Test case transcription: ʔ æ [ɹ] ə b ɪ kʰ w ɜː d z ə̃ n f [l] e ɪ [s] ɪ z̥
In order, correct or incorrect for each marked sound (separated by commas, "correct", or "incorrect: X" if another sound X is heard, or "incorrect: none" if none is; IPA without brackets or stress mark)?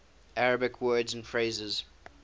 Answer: correct, incorrect: ɹ, incorrect: z